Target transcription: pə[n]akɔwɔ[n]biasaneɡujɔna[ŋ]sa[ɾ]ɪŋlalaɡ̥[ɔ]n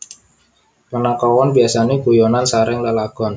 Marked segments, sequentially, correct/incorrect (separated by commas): correct, correct, incorrect, correct, correct